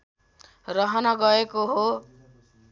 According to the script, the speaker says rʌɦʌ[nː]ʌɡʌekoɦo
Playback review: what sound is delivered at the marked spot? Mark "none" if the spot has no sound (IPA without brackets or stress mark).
n